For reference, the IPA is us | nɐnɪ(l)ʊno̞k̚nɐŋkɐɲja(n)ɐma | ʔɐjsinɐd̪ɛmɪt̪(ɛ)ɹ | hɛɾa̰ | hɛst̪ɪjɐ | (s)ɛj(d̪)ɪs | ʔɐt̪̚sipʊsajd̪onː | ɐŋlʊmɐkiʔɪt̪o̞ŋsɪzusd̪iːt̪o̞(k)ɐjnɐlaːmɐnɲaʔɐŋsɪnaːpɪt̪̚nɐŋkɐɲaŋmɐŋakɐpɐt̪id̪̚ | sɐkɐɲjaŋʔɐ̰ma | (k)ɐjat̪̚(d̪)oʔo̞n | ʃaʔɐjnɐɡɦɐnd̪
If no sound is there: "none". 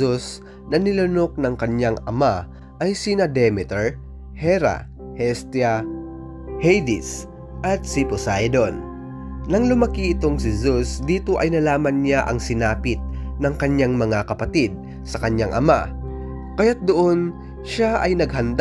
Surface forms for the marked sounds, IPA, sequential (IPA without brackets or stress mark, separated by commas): l, ŋ, ɛ, h, d̪, ʔ, k, d̪